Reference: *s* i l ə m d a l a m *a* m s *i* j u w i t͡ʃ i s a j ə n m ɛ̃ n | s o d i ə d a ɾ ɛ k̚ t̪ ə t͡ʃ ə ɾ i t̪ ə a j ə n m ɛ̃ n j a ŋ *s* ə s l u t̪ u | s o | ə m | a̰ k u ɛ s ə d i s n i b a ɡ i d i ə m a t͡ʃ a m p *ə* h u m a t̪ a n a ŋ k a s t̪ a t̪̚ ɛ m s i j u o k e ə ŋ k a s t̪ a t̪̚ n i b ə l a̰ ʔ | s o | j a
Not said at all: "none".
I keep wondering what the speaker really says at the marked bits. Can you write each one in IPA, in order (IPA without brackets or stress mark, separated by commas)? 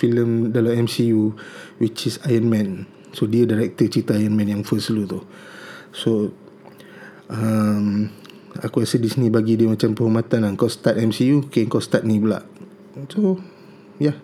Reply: f, ɛ, i, f, ə